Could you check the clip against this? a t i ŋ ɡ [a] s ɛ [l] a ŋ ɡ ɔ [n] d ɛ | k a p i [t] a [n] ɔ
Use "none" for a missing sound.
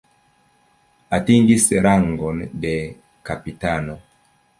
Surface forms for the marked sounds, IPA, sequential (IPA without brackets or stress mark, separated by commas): i, ɾ, n, t, n